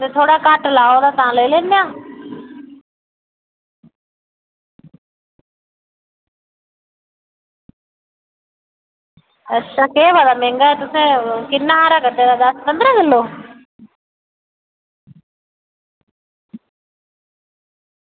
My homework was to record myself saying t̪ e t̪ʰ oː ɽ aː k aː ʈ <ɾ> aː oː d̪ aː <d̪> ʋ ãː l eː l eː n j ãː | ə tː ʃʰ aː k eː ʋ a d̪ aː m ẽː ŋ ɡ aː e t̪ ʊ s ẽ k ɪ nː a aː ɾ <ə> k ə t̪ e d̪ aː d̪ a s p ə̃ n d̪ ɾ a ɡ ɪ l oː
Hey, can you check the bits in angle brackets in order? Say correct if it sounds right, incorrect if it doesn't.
incorrect, incorrect, incorrect

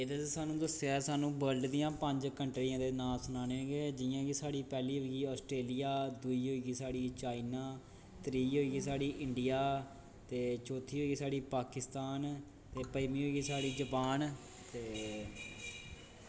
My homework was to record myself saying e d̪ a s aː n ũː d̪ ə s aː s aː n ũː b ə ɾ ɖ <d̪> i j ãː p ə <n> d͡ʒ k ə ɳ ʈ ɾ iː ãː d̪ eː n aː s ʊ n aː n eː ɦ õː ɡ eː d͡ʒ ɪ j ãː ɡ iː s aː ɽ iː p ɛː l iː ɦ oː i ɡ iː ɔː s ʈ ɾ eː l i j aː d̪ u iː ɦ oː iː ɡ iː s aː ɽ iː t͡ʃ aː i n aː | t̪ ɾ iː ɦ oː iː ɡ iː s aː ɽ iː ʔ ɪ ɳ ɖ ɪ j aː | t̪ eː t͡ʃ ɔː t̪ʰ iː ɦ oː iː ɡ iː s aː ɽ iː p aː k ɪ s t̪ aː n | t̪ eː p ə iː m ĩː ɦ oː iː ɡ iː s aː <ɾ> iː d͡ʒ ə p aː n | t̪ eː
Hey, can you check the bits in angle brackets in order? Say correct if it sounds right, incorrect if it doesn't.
correct, incorrect, incorrect

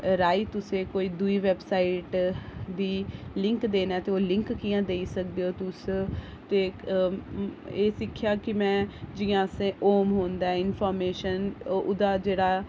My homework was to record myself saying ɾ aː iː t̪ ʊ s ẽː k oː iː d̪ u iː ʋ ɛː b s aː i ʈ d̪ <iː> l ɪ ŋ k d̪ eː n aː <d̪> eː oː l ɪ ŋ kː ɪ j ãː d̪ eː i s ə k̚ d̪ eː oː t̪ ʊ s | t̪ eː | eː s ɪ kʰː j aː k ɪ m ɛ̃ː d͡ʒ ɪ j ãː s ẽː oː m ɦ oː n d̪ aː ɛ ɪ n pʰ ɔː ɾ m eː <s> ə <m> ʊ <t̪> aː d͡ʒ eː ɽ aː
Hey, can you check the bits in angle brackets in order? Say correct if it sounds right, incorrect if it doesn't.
correct, incorrect, incorrect, incorrect, incorrect

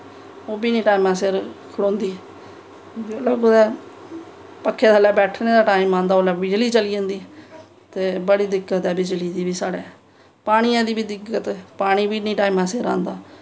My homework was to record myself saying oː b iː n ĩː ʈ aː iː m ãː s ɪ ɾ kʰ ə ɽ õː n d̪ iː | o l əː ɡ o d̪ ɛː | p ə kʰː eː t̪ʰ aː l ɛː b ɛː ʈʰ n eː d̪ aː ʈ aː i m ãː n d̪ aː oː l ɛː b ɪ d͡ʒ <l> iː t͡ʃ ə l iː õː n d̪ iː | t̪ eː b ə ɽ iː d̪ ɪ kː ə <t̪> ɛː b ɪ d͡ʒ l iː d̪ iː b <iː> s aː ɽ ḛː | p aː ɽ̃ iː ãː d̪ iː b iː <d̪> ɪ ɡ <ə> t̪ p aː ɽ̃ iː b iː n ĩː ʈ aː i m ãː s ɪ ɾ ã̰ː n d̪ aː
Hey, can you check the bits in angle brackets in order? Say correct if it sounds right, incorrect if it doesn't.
correct, correct, correct, correct, correct

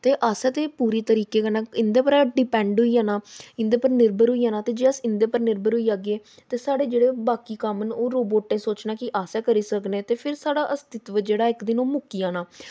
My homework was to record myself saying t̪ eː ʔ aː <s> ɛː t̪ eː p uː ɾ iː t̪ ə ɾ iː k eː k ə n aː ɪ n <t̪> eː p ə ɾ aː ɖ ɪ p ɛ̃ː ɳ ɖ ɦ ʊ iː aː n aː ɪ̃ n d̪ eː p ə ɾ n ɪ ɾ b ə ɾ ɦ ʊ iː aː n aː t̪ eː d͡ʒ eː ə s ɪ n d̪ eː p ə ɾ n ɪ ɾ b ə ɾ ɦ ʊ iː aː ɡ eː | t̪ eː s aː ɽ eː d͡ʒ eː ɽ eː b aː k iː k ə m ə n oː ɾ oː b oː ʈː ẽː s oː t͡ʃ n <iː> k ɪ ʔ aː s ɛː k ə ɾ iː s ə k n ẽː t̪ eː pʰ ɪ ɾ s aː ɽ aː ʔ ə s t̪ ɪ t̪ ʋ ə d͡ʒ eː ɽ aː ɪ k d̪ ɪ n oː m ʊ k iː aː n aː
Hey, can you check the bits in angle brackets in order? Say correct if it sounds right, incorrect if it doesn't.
correct, incorrect, incorrect

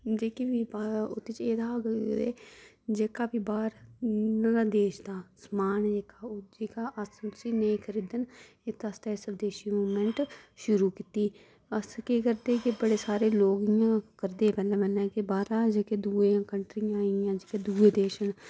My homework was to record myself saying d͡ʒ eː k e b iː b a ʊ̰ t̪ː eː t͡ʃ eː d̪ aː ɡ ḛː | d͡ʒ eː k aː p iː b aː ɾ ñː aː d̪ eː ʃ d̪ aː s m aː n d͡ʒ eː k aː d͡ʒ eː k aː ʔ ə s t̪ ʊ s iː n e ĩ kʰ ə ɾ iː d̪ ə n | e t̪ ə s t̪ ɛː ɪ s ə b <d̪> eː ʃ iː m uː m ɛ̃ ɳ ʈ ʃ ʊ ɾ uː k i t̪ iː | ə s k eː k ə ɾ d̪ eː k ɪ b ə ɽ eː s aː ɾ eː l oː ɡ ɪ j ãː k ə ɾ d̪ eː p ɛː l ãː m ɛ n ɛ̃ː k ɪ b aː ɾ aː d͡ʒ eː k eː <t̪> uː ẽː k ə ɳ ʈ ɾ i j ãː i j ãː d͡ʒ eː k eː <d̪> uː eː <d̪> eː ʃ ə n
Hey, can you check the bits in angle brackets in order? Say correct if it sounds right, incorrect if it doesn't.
correct, incorrect, correct, correct

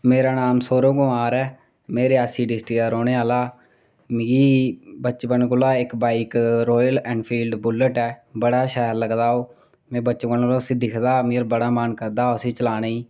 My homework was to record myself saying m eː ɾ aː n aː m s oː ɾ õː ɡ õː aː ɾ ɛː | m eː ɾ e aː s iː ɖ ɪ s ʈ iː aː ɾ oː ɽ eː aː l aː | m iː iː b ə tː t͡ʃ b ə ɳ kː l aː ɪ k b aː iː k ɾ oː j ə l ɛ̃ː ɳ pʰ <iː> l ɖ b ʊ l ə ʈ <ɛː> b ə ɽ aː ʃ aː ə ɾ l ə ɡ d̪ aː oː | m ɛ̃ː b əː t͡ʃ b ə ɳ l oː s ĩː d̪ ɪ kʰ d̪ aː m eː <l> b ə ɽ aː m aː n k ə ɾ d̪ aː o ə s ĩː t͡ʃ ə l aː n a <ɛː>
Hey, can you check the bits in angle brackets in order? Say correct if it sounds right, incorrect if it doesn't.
correct, correct, incorrect, incorrect

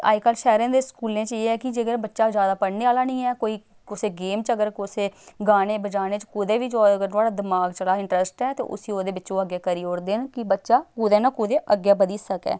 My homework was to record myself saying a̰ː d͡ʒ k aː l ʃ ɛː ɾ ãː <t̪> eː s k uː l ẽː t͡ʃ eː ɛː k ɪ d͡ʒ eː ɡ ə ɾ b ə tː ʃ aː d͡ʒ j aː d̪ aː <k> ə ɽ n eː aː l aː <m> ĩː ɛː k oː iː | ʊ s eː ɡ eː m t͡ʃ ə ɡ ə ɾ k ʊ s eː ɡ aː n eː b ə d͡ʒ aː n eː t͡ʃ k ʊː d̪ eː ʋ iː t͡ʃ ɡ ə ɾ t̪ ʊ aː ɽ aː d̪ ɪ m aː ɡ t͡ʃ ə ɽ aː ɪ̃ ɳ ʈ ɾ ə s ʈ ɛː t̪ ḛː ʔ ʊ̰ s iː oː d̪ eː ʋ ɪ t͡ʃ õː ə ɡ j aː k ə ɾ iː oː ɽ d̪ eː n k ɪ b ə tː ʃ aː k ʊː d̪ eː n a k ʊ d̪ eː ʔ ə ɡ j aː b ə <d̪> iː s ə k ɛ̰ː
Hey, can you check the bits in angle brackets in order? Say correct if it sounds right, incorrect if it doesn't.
incorrect, incorrect, incorrect, correct

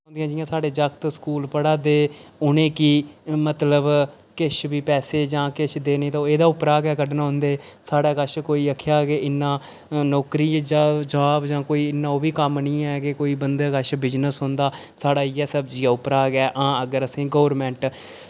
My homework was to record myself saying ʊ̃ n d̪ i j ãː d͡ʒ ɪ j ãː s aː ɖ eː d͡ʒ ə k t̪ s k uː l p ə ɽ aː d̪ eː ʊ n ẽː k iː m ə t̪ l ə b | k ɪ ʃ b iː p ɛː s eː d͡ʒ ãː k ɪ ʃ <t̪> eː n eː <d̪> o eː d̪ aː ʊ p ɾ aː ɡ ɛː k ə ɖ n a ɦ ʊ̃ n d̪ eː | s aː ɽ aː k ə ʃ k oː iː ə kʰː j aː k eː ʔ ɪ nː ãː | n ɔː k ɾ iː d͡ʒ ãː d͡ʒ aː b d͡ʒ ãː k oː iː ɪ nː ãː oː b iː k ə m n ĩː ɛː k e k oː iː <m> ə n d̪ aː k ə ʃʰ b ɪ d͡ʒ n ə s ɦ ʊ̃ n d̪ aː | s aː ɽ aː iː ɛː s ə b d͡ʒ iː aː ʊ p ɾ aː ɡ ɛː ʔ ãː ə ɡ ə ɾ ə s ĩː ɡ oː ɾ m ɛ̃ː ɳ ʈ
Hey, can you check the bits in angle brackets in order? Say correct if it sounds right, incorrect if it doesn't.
incorrect, incorrect, incorrect

